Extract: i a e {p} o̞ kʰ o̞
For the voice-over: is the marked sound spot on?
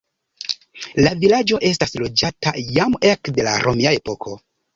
yes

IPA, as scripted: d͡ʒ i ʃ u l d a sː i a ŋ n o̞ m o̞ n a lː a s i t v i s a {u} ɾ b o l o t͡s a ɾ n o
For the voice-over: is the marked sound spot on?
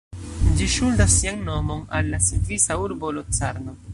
yes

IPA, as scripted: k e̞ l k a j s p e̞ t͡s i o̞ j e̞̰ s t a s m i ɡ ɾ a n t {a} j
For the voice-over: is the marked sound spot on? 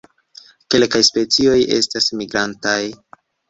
yes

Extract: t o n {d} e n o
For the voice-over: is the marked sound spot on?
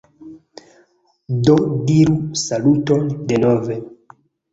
yes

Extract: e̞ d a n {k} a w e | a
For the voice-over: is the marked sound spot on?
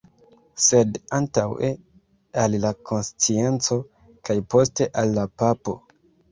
no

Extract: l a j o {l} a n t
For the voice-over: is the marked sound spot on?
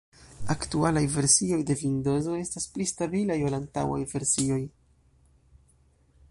yes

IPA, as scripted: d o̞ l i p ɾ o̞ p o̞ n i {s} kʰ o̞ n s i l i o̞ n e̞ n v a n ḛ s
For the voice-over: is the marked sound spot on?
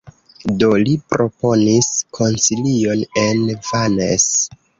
yes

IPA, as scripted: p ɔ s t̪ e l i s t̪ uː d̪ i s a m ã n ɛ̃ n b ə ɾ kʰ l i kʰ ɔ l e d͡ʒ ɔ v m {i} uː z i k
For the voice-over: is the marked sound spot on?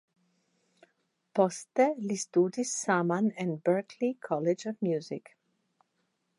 no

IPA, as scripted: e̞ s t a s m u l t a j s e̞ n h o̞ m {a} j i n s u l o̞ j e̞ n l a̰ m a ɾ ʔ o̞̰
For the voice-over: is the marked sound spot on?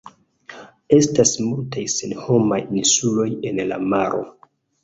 yes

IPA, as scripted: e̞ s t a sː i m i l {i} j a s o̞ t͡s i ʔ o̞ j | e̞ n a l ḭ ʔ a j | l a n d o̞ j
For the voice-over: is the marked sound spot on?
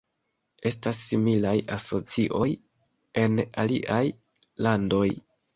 no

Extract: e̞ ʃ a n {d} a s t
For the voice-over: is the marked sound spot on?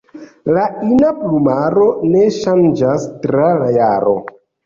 no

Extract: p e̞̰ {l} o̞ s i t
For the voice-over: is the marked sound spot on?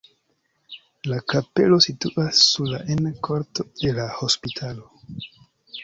yes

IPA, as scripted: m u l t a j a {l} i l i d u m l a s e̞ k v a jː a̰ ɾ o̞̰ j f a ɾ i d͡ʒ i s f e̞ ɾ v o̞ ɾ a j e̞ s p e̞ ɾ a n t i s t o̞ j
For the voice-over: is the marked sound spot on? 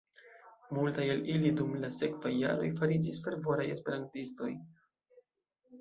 yes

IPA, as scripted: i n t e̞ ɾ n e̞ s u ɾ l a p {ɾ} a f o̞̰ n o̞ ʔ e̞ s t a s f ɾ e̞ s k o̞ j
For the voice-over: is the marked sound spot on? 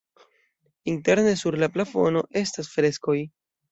no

